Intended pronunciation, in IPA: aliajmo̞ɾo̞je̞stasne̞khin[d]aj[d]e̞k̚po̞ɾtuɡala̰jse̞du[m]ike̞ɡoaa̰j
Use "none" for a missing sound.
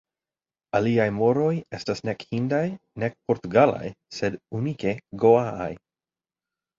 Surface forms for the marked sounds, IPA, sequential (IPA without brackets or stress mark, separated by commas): d, n, n